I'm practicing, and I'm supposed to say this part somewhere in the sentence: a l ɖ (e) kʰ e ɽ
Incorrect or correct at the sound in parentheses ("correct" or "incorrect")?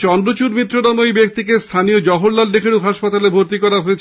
correct